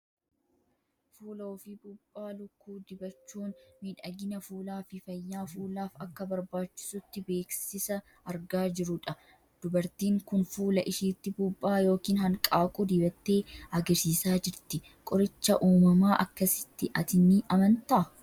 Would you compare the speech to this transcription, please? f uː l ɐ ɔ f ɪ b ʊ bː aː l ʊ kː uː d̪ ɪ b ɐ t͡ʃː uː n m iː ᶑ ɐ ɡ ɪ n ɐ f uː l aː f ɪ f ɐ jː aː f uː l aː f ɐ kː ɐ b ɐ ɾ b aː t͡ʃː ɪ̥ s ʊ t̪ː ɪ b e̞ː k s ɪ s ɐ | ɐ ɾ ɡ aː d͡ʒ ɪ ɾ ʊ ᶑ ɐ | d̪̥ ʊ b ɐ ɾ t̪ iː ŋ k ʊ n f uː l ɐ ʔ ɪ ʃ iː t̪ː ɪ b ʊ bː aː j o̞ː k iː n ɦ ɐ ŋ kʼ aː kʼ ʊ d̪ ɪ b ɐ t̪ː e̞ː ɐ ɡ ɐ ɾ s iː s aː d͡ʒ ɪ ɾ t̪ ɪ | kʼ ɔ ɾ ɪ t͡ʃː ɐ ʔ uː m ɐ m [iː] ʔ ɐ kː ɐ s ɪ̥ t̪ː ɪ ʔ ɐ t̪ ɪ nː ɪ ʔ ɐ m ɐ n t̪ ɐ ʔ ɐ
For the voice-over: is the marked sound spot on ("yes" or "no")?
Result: no